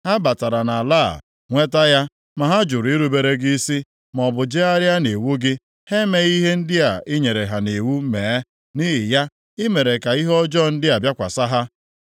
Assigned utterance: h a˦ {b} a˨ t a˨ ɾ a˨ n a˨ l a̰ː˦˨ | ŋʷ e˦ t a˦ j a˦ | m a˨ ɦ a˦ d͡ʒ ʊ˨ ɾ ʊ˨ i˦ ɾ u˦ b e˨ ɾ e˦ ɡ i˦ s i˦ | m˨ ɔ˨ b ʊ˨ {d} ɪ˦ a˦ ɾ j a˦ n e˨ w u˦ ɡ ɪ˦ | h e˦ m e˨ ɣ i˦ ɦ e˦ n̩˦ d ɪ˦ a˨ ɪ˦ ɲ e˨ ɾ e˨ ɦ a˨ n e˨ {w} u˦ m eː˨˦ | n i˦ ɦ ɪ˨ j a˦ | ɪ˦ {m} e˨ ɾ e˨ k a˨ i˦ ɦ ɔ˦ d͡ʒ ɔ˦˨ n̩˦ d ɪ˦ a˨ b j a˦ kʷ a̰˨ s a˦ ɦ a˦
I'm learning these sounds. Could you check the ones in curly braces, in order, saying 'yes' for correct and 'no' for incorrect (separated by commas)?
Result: yes, no, yes, yes